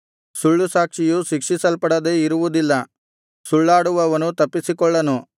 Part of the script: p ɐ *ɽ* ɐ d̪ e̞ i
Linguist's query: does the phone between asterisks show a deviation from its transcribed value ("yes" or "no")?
no